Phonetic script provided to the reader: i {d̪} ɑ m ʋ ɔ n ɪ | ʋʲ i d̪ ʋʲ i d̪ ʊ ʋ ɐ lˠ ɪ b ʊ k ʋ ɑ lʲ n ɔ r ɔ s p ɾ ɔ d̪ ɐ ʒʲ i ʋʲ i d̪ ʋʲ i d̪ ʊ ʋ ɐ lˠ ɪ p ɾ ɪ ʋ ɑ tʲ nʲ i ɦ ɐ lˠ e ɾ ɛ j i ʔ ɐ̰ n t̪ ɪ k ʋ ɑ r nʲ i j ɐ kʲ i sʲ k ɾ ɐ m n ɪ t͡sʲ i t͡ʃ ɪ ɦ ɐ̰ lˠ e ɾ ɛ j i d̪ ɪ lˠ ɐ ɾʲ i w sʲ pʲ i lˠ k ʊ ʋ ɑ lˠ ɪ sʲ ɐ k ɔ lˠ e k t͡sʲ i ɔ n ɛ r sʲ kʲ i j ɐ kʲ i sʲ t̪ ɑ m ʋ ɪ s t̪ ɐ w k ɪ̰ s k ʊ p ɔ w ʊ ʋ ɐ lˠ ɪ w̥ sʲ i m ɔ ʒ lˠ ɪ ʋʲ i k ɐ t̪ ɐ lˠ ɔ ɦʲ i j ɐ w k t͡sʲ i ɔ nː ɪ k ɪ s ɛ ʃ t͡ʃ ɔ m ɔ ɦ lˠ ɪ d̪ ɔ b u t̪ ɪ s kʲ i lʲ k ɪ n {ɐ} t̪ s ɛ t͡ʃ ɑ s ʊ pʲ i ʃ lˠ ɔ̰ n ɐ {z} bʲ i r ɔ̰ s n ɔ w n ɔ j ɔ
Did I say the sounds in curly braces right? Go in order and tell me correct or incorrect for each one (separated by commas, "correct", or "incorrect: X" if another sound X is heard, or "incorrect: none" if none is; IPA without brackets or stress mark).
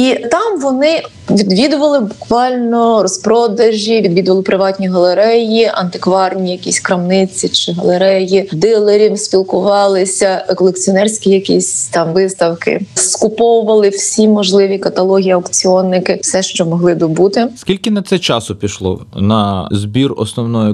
incorrect: t̪, correct, correct